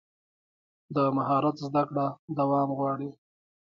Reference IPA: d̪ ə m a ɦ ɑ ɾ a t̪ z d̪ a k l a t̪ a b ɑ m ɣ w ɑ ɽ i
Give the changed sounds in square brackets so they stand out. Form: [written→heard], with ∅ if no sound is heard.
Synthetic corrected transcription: d̪ ə m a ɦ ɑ ɾ a t̪ z d̪ a k [l→ɽ] a [t̪→d̪] a [b→w] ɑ m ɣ w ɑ ɽ i